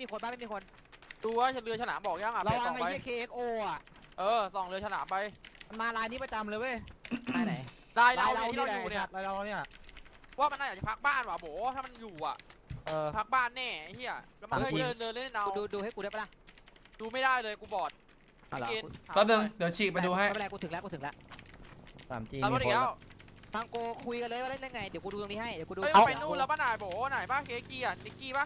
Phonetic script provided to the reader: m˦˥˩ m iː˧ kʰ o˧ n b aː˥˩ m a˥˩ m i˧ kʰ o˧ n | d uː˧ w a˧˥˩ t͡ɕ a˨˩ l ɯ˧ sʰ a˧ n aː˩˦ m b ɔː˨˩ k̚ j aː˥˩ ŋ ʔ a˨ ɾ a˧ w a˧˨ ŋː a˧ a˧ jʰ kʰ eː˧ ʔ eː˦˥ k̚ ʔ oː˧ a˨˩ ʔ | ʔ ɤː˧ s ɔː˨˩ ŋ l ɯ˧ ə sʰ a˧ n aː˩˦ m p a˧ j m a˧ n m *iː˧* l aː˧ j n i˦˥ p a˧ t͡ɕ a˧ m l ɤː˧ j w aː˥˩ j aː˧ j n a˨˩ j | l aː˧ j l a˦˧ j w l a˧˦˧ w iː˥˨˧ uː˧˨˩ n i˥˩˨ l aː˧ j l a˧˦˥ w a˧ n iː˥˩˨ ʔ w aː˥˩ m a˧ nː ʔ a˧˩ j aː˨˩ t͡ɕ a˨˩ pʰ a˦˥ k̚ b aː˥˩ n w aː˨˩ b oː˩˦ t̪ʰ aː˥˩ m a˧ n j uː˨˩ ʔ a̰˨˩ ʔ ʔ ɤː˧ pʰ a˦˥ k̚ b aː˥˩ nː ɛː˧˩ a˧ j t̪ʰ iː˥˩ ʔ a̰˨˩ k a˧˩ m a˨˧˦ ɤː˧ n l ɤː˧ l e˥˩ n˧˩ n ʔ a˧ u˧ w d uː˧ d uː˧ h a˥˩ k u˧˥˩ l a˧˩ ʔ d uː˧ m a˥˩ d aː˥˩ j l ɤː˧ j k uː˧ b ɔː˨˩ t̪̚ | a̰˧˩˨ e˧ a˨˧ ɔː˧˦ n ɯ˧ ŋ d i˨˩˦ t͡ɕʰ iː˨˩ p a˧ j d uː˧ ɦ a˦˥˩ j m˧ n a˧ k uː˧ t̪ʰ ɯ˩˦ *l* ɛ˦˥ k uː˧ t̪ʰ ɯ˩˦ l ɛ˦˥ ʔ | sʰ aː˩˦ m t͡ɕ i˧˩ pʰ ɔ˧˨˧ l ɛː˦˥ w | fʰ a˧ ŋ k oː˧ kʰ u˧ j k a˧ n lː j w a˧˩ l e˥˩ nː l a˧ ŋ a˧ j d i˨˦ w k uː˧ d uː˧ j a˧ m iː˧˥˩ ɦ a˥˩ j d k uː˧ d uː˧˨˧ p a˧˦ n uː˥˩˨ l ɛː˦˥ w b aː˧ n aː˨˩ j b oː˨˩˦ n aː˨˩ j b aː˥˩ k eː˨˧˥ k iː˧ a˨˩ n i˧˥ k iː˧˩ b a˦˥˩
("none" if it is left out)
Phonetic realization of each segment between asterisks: aː˧, l

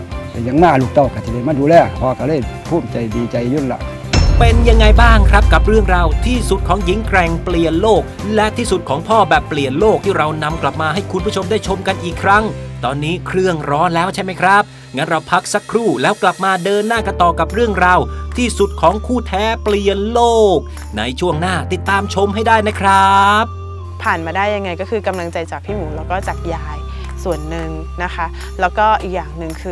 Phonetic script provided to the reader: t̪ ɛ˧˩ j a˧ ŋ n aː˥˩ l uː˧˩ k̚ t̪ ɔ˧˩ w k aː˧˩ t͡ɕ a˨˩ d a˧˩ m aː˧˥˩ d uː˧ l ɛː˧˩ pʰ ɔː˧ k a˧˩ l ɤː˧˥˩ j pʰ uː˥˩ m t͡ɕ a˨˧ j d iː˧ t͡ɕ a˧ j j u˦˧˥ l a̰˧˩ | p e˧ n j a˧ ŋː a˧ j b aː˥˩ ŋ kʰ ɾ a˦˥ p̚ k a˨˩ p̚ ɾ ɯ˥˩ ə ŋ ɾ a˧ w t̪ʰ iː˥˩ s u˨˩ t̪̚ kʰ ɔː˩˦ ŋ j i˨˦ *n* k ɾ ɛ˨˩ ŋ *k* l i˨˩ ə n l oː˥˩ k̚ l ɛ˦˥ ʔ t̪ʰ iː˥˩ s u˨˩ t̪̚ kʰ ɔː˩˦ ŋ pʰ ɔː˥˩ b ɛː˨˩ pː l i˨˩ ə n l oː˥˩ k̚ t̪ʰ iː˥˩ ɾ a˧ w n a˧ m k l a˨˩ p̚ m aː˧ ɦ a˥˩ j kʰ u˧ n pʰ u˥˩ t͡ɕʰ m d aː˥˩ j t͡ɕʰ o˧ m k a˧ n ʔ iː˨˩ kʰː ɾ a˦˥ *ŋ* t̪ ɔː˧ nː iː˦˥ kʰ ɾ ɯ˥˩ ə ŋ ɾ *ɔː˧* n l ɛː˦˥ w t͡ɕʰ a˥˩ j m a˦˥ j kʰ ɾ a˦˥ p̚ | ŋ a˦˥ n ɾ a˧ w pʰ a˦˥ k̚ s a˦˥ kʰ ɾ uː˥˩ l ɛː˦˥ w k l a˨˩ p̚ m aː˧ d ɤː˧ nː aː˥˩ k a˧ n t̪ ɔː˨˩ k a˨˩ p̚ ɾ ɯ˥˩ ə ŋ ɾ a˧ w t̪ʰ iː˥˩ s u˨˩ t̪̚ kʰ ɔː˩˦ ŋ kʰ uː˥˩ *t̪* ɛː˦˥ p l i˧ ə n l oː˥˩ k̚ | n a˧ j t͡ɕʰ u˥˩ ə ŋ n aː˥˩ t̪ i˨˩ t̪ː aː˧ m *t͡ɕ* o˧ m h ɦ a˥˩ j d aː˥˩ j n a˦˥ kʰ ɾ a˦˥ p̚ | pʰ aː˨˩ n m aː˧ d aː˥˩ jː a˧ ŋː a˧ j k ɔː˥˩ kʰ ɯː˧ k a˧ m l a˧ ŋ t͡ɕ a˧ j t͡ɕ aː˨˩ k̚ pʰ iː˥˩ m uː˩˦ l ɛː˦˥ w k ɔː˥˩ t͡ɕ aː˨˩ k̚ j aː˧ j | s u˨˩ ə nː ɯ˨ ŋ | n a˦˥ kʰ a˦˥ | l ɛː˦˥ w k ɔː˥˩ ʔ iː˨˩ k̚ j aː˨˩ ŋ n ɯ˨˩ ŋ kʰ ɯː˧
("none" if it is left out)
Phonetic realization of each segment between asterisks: ŋ, p, ŋ, ɔː˦˥, t̪ʰ, t͡ɕʰ

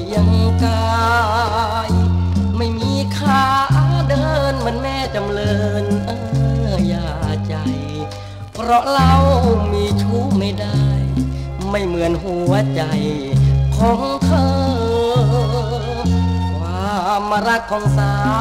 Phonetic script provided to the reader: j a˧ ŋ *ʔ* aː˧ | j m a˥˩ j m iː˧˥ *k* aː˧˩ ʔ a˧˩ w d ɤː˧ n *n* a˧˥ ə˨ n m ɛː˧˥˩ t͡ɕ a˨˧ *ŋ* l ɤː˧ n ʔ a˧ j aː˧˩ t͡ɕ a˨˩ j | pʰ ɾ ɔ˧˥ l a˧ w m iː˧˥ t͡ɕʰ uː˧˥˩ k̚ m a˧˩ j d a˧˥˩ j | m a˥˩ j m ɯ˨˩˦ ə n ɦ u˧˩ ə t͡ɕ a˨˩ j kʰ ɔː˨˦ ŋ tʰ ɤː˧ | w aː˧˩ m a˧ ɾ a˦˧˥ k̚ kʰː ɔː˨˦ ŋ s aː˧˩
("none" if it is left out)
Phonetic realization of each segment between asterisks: k, kʰ, m, m

